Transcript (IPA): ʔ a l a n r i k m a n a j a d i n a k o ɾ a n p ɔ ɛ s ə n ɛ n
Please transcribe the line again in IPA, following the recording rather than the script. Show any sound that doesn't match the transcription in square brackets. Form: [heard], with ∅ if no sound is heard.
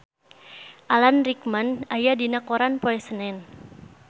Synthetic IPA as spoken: ʔ a l a n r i k m a n a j a d i n a k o ɾ a n p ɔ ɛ s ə n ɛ n